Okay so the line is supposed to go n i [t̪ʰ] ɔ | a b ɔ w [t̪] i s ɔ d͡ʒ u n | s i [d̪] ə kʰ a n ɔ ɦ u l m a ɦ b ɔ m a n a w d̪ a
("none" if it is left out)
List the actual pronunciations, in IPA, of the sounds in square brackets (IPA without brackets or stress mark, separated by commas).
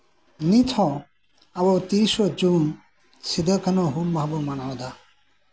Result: t̪ʰ, t̪, d̪